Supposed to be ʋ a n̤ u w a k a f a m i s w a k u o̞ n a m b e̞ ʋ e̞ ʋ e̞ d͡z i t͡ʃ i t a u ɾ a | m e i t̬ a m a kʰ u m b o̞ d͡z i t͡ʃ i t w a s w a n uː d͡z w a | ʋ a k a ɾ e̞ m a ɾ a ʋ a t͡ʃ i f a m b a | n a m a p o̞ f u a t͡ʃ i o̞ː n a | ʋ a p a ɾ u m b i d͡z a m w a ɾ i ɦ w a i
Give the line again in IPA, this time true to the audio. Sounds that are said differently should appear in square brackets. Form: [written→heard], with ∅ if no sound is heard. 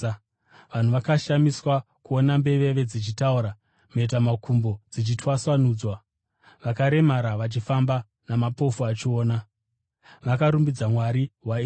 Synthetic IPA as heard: ʋ a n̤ u [w→ʋ] a k a [f→ʃ] a m i s w a k u o̞ n a m b e̞ ʋ e̞ ʋ e̞ d͡z i t͡ʃ i t a u ɾ a | m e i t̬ a m a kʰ u m b o̞ d͡z i t͡ʃ i t w a s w a n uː d͡z w a | ʋ a k a ɾ e̞ m a ɾ a ʋ a t͡ʃ i f a m b a | n a m a p o̞ f u a t͡ʃ i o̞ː n a | ʋ a [p→k] a ɾ u m b i d͡z a m w a ɾ i ɦ w a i